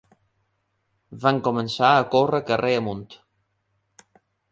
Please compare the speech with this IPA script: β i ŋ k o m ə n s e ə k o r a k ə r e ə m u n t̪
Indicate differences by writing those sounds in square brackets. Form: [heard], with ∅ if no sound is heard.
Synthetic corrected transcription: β [a] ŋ k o m ə n s [a] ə k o r [ə] k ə r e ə m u n t̪